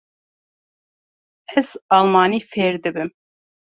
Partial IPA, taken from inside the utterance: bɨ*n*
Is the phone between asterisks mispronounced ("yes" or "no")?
yes